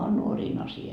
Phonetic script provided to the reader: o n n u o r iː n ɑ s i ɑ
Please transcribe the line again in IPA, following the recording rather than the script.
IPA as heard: o n n u o r iː n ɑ s i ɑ